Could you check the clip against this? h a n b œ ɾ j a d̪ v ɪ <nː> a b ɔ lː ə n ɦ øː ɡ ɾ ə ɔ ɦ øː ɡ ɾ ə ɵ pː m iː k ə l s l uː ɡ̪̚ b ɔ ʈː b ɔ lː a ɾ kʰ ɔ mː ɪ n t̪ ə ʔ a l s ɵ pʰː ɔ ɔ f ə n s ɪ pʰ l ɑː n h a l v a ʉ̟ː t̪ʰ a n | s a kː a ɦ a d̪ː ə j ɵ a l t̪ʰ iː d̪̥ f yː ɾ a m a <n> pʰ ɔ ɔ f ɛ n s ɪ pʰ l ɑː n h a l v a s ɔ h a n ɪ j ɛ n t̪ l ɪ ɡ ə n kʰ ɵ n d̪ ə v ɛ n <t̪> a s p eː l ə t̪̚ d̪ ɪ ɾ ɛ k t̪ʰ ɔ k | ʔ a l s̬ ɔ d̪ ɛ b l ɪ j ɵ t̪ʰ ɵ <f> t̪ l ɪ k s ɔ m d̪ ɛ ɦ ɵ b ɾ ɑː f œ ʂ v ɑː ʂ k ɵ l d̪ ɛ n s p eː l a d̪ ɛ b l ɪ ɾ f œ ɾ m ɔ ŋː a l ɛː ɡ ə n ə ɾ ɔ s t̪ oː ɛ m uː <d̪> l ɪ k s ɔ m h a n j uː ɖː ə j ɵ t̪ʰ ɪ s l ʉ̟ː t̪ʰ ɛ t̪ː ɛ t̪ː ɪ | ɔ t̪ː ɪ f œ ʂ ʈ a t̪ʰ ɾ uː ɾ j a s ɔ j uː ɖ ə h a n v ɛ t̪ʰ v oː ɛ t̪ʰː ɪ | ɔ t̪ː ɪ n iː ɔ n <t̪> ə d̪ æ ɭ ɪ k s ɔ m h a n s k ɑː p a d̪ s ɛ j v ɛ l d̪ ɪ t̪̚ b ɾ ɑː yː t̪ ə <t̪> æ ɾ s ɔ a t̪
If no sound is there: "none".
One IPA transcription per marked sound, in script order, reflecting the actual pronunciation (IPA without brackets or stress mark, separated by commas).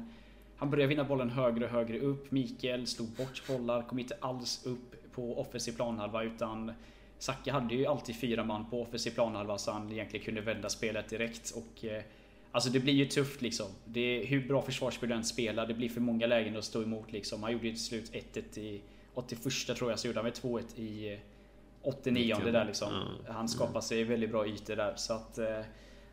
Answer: nː, nː, d̪, f, t̪, d̪, d̪